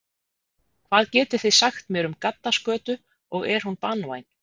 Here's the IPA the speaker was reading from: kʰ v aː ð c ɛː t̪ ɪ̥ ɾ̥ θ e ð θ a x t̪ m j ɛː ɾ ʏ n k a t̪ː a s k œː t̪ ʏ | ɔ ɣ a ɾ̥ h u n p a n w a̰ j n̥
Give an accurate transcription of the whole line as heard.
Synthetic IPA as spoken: kʰ v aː ð c ɛː t̪ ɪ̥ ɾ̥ θ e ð s a x t̪ m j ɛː ɾ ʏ m k a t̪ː a s k œː t̪ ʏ | ɔ ɣ ɛ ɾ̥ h u n p a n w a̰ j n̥

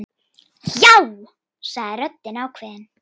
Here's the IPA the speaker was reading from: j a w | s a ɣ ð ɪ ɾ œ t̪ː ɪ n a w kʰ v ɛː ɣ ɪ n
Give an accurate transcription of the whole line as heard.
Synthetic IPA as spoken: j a w | s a ɣ ð ɪ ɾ œ t̪ː ɪ n a w kʰ v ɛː ð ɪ n

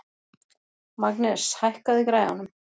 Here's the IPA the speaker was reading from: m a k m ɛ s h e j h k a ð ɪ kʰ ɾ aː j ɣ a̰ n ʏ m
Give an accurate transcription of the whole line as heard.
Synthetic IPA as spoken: m a k n ɛ s h a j h k a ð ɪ k ɾ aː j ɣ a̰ n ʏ m

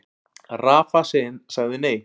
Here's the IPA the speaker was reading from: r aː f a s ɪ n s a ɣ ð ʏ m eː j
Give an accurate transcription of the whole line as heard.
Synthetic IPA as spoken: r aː f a s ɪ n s a ɣ ð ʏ n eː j

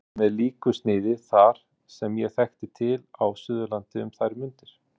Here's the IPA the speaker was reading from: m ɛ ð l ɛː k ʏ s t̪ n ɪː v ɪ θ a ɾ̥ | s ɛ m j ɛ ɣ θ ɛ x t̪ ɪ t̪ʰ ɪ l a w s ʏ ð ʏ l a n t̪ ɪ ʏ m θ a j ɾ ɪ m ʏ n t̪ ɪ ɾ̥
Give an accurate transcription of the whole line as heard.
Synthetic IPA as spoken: m ɛ ð l iː k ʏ s t̪ n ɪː ð ɪ θ a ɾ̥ | s ɛ m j ɛ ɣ θ ɛ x t̪ ɪ t̪ʰ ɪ l a w s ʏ ð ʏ l a n t̪ ɪ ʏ m θ a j ɾ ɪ m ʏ n t̪ ɪ ɾ̥

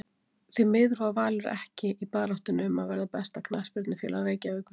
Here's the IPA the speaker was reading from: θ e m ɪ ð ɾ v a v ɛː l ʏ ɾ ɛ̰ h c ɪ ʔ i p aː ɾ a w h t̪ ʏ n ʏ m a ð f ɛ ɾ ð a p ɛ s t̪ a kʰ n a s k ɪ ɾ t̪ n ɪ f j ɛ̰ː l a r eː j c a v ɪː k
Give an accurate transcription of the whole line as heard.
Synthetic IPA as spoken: θ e m ɪ ð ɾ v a v aː l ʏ ɾ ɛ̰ h c ɪ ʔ i p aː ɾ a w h t̪ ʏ n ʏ m a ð v ɛ ɾ ð a p ɛ s t̪ a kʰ n a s p ɪ ɾ t̪ n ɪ f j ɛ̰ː l a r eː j c a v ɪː k

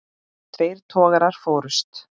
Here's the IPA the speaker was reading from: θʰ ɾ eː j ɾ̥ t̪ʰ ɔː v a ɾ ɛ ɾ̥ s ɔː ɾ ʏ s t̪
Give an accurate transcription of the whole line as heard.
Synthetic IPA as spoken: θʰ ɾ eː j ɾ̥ t̪ʰ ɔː ɣ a ɾ a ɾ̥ f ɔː ɾ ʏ s t̪

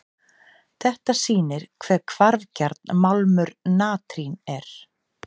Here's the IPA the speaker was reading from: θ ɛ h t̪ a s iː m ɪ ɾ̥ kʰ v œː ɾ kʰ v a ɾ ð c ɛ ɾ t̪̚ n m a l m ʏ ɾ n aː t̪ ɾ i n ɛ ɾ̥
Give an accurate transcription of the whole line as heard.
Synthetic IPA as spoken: θ ɛ h t̪ a s iː n ɪ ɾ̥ kʰ v ɛː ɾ kʰ v a ɾ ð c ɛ ɾ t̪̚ n m a l m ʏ ɾ n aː t̪ ɾ i n ɛ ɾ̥

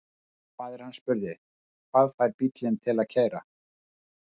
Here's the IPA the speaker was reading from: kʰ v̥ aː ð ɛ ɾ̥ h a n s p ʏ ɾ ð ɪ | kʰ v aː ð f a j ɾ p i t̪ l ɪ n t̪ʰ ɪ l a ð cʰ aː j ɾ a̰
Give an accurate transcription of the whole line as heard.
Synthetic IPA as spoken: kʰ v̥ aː ð ɛ ɾ̥ h a n s p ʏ ɾ ð ɪ | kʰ v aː ð f a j ɾ p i t̪ l ɪ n t̪ʰ ɪ l a ð cʰ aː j ɾ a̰

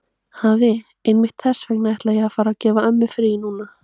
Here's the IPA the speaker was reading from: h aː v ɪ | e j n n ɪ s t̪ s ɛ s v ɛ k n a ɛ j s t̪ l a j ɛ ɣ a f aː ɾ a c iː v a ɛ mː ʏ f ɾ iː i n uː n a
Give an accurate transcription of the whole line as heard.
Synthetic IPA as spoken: h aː v ɪ | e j n m ɪ h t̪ θ ɛ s v ɛ k n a ɛ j h t̪ l a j ɛ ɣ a f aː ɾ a c ɛː v a œ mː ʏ f ɾ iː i n uː n a

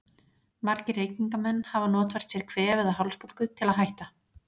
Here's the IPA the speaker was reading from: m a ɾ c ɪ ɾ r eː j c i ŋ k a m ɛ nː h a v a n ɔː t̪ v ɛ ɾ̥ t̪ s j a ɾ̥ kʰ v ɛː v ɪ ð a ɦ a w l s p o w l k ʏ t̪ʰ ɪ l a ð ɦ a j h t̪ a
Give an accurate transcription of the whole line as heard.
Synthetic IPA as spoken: m a ɾ c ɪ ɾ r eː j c i ŋ k a m ɛ nː h a v a n ɔː t̪ v ɛ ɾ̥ t̪ s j ɛ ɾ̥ kʰ v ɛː v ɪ ð a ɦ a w l s p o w l k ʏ t̪ʰ ɪ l a ð ɦ a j h t̪ a

